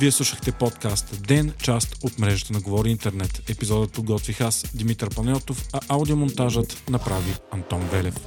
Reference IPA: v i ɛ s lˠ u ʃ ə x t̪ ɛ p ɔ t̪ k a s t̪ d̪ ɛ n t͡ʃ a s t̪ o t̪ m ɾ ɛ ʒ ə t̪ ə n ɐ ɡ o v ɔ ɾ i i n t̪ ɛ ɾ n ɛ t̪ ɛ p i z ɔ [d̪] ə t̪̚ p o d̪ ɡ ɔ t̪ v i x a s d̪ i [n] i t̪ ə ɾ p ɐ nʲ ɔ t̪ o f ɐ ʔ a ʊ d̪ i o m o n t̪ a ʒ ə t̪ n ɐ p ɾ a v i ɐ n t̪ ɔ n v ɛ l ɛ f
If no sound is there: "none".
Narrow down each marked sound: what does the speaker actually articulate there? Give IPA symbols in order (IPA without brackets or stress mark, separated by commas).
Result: d̪, m